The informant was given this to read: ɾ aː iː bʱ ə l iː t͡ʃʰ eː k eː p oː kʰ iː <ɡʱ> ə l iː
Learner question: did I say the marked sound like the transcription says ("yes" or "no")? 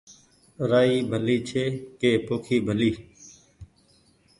no